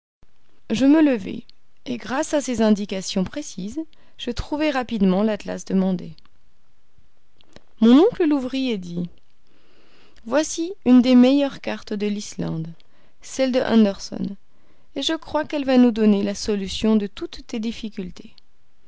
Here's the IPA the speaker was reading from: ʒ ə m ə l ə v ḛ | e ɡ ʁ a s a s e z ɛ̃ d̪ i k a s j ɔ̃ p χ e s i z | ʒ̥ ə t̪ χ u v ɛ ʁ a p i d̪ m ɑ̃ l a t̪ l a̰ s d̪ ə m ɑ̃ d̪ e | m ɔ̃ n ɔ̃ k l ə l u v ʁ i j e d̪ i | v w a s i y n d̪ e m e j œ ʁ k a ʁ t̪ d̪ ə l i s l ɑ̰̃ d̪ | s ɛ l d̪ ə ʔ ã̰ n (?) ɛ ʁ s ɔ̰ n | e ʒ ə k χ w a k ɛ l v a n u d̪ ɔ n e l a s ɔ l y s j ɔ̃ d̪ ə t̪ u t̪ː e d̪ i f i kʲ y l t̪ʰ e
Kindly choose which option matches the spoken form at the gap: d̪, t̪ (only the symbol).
d̪